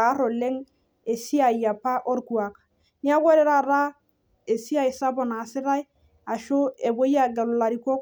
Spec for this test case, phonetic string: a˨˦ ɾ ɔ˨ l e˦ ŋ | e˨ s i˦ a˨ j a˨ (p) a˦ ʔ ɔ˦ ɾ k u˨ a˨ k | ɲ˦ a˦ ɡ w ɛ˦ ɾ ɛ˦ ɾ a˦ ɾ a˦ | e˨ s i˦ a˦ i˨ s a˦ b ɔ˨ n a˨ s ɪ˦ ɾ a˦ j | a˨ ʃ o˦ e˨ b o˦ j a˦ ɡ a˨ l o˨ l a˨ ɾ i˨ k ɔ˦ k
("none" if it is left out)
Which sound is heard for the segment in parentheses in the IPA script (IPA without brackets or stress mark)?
p